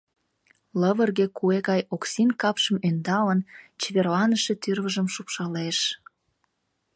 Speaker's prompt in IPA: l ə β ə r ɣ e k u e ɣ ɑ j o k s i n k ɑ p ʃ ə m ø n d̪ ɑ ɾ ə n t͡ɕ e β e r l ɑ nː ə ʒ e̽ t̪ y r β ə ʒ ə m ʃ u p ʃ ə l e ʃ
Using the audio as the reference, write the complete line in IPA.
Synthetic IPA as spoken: l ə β ə r ɣ e k u e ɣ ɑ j o k s i n k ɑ p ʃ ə m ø n d̪ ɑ l ə n t͡ɕ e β e r l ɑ n ə ʃ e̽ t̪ y r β ə ʒ ə m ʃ u p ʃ ɑ l e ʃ